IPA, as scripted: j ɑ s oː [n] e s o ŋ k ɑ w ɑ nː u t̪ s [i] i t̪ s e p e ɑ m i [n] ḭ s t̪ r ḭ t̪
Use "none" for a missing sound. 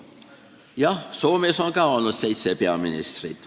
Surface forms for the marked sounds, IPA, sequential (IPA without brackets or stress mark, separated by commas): m, e, n